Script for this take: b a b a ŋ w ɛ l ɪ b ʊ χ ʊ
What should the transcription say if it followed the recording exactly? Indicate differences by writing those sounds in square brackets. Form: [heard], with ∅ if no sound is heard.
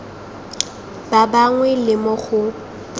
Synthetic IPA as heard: b a b a ŋ w ɛ l ɪ [m] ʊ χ ʊ